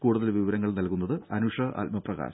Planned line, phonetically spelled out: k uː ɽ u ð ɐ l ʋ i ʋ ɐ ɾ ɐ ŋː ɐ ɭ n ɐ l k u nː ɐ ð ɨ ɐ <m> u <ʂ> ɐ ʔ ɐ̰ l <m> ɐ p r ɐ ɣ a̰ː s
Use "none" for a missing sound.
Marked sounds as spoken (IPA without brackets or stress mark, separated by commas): n, ʂ, m